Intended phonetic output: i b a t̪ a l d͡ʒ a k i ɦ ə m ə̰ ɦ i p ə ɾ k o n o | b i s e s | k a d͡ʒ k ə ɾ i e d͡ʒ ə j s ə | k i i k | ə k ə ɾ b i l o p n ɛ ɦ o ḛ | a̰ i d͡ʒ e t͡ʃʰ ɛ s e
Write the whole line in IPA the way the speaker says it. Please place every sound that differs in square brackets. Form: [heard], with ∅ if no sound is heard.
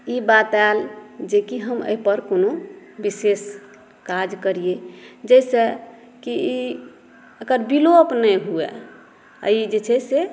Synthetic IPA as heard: i b a t̪ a l d͡ʒ [e] k i ɦ ə m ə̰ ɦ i p ə ɾ k o n o | b i s e s | k a d͡ʒ k ə ɾ i e d͡ʒ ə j s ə | k i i [∅] | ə k ə ɾ b i l o p n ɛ ɦ [u] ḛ | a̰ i d͡ʒ e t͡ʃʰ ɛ s e

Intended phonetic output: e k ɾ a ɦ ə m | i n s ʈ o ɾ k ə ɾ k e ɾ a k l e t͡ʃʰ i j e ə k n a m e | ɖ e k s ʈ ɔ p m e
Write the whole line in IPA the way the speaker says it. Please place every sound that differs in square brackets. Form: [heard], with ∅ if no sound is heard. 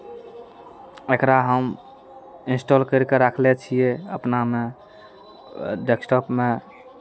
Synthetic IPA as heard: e k ɾ a ɦ ə m | i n s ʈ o [l] k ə ɾ k e ɾ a [kʰ] l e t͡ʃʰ i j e ə [p] n a m e | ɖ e k s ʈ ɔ p m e

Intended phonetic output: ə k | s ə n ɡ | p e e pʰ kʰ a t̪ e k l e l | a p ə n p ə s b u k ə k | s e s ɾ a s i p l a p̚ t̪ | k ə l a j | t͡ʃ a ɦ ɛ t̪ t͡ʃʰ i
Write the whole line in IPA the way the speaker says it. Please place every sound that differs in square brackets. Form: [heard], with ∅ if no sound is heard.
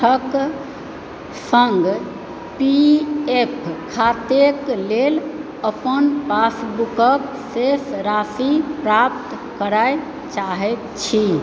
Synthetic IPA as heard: ə k | s ə [ŋ] ɡ | p [i] e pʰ kʰ a t̪ e k l e l | [ə] p ə n p [a] s b u k ə k | s e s ɾ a s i p [ɾ] a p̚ t̪ | k ə [ɾ] a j | t͡ʃ a ɦ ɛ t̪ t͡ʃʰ i

